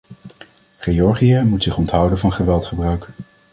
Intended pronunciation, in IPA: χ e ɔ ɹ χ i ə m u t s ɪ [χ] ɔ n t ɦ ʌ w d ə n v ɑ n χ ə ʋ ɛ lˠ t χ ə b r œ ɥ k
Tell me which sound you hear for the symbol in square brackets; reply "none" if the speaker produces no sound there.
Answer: χ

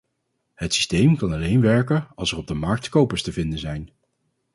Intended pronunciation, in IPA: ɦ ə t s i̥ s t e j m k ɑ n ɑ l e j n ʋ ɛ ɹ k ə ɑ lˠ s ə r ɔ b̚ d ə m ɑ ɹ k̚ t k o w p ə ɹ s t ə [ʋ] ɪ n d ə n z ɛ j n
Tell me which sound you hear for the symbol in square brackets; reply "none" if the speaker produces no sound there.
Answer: v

